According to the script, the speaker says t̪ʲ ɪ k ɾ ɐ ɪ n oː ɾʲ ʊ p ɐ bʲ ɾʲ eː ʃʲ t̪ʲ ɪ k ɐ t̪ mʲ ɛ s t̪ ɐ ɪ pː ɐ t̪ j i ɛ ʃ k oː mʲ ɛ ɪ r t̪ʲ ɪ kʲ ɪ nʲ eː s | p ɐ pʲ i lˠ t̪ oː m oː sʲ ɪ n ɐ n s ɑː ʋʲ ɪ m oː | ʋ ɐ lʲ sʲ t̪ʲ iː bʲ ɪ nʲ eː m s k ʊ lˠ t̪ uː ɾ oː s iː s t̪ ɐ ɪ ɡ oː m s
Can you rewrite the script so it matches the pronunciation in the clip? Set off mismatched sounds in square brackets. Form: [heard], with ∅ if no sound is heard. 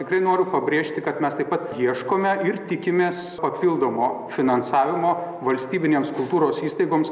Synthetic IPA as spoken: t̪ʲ ɪ k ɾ ɐ ɪ n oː ɾʲ ʊ p ɐ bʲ ɾʲ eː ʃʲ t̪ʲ ɪ k ɐ t̪ mʲ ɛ s t̪ ɐ ɪ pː ɐ t̪ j i ɛ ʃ k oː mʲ ɛ ɪ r t̪ʲ ɪ kʲ ɪ [mʲ] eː s | p ɐ pʲ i lˠ [d̪] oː m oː [fʲ] ɪ n ɐ n s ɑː ʋʲ ɪ m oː | ʋ ɐ lʲ sʲ t̪ʲ iː bʲ ɪ nʲ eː m s k ʊ lˠ t̪ uː ɾ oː s iː s t̪ ɐ ɪ ɡ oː m s